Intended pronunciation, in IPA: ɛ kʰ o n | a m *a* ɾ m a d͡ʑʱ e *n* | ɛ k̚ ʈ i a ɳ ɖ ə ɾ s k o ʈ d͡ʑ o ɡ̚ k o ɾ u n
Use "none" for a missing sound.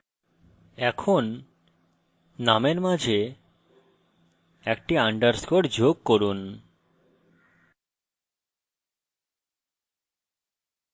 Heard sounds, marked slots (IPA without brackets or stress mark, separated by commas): e, none